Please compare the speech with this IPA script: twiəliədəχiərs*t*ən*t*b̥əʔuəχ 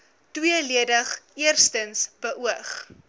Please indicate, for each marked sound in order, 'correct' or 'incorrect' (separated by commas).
correct, incorrect